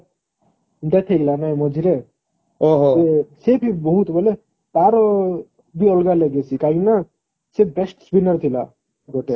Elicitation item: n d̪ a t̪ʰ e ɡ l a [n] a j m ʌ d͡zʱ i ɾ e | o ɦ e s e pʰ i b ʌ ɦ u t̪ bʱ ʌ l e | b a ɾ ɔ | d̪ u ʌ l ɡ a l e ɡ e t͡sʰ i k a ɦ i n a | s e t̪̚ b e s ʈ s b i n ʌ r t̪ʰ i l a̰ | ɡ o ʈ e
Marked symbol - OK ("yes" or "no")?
yes